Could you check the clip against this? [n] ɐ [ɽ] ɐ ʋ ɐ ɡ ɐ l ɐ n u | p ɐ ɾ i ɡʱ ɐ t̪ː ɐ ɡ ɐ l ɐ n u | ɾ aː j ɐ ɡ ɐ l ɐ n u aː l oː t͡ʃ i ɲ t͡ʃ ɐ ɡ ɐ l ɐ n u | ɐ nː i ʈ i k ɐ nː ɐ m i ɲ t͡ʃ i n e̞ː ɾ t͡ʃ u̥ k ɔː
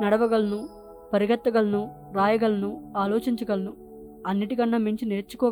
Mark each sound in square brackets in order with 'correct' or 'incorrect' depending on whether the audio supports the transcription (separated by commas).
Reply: correct, correct